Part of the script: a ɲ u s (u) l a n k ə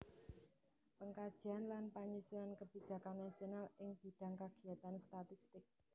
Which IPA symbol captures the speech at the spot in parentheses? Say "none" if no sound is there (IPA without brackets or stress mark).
u